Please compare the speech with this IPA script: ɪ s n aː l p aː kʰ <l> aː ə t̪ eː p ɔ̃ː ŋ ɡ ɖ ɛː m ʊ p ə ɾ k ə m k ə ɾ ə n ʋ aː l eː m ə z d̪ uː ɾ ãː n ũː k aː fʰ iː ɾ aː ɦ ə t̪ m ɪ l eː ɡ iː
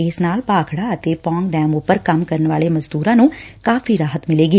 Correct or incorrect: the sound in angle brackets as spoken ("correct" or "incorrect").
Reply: incorrect